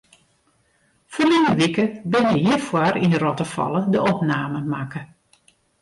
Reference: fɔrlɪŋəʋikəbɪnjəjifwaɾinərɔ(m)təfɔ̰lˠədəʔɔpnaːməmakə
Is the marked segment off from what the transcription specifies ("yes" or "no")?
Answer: yes